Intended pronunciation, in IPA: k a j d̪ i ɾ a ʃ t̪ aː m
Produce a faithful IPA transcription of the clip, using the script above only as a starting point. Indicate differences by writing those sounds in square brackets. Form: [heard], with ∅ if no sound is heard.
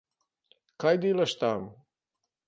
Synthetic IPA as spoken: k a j d̪ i [l] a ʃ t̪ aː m